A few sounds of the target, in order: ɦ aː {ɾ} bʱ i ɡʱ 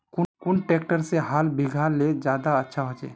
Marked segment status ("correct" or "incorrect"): incorrect